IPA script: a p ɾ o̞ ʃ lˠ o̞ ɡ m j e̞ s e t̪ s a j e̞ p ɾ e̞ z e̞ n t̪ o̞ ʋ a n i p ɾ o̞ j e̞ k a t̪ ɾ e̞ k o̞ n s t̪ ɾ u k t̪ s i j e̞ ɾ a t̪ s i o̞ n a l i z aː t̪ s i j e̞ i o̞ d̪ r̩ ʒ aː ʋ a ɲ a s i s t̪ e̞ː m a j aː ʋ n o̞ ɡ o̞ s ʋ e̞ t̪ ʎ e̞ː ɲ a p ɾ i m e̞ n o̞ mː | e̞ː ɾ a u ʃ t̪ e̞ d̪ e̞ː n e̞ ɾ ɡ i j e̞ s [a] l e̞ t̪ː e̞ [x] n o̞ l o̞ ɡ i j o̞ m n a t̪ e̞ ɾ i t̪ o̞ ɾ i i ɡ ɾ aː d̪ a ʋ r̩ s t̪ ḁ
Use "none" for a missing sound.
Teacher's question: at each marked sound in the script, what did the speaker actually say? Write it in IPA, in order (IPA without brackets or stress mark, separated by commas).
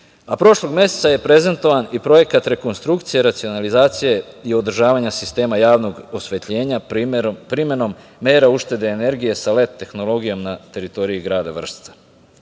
a, x